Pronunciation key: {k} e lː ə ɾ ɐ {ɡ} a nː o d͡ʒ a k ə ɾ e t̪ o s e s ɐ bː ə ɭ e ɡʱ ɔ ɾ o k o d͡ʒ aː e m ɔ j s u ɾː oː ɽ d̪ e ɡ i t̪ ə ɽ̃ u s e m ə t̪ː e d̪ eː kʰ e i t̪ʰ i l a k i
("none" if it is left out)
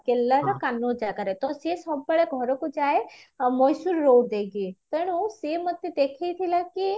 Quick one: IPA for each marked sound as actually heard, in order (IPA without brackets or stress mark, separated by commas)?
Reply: k, k